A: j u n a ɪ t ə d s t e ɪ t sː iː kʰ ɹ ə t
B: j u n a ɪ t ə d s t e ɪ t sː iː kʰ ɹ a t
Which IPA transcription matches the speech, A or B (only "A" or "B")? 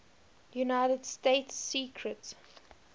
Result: A